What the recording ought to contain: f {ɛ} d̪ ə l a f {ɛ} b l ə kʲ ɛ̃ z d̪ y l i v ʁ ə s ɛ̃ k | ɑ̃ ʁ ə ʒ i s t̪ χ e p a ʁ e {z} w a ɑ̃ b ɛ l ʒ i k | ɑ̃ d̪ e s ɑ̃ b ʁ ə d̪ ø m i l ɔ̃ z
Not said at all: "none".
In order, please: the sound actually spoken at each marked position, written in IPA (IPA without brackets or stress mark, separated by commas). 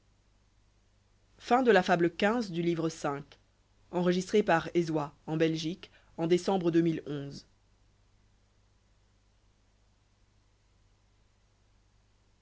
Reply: ɛ̃, a, z